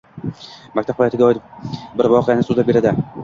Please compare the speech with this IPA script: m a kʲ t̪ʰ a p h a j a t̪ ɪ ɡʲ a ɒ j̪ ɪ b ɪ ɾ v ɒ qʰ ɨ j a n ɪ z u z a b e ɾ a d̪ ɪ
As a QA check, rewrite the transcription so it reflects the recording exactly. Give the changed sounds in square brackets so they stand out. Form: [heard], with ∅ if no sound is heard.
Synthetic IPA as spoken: m a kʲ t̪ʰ a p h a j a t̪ ɪ ɡʲ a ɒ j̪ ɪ b ɪ ɾ v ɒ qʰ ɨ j a n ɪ [s] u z a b e ɾ a d̪ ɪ